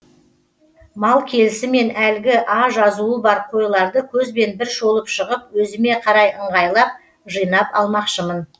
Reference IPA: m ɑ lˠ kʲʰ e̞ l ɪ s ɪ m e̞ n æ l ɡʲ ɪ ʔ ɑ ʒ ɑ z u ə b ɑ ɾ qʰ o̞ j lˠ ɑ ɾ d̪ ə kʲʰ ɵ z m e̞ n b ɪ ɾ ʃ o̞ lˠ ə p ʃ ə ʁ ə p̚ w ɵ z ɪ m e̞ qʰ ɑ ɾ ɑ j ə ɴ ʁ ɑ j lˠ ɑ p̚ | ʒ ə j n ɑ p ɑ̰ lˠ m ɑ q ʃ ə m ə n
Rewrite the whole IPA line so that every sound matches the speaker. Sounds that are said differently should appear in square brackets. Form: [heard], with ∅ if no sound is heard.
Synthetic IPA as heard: m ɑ lˠ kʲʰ e̞ l ɪ s ɪ m e̞ n æ l ɡʲ ɪ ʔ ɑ ʒ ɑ z u ə b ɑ ɾ qʰ o̞ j lˠ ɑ ɾ d̪ ə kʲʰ ɵ z [b] e̞ n b ɪ ɾ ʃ o̞ lˠ ə p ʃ ə ʁ ə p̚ w ɵ z ɪ m e̞ qʰ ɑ ɾ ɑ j ə ɴ ʁ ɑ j lˠ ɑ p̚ | ʒ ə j n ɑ p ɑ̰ lˠ m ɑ q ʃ ə m ə n

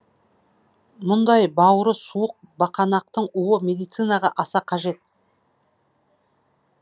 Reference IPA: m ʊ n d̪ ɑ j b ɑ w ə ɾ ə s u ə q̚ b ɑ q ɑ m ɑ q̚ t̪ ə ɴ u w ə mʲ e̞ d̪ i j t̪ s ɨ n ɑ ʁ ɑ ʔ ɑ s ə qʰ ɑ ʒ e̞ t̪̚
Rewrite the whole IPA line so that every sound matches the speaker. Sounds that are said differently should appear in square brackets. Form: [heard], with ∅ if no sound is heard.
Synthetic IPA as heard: m ʊ n d̪ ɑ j b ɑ w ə ɾ ə s u ə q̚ b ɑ q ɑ [n] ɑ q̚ t̪ ə ɴ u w ə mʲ e̞ d̪ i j t̪ s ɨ n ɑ ʁ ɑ ʔ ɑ s [ɑ] qʰ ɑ ʒ e̞ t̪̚

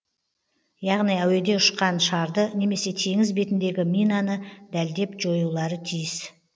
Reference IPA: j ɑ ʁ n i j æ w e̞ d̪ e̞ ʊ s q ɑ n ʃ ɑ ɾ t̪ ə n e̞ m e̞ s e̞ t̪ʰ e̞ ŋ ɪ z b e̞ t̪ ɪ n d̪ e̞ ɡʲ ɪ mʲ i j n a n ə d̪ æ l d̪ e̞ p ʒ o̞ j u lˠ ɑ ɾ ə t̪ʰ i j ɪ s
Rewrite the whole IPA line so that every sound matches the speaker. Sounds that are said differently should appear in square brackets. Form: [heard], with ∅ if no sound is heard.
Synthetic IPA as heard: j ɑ ʁ n i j æ w e̞ d̪ e̞ ʊ [ʃ] q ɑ n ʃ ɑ ɾ [d̪] ə n e̞ m e̞ s e̞ t̪ʰ e̞ ŋ ɪ z b e̞ t̪ ɪ n d̪ e̞ ɡʲ ɪ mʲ i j n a n ə d̪ æ l d̪ e̞ p ʒ o̞ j u lˠ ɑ ɾ ə t̪ʰ i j ɪ s

